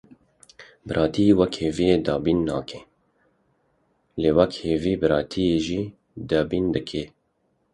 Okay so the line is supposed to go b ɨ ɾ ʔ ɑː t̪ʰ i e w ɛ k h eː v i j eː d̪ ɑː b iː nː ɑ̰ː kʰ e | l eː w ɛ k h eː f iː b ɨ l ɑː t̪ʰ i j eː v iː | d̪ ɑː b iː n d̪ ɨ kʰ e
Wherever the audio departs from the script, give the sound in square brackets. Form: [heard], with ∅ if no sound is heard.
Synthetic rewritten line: b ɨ ɾ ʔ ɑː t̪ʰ i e w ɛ k h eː v i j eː d̪ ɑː b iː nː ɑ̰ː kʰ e | l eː w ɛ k h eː [v] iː b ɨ [ɾ] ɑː t̪ʰ i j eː [ʒ] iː | d̪ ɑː b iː n d̪ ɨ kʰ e